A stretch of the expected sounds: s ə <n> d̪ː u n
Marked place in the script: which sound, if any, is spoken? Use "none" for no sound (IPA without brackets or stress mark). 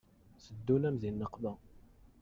none